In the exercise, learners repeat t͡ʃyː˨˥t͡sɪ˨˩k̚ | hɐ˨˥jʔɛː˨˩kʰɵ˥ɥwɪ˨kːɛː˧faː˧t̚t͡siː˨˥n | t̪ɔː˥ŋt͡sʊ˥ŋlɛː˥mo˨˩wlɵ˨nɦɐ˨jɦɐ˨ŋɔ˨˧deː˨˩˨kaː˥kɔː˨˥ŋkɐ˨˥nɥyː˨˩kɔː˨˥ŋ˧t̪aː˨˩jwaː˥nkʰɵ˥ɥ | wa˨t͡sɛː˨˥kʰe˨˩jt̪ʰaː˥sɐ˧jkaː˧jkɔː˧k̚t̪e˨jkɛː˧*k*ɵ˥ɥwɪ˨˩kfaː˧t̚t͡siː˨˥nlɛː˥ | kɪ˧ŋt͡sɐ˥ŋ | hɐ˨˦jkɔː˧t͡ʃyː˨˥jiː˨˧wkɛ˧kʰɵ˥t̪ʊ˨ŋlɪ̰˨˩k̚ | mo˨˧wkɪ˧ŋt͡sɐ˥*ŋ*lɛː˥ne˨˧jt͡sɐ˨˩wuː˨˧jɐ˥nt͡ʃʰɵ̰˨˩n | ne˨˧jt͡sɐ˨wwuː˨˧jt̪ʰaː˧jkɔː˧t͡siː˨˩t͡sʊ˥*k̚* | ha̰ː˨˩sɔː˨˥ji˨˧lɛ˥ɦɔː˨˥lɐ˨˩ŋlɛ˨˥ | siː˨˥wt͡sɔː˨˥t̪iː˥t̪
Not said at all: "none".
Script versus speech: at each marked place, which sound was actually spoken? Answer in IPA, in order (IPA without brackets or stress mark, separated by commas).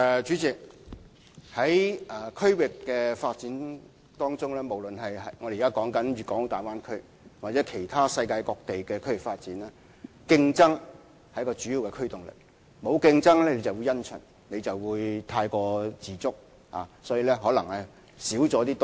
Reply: kʰ, ŋ, k̚